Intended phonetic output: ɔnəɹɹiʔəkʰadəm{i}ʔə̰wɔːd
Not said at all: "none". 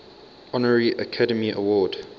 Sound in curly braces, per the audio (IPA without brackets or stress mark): i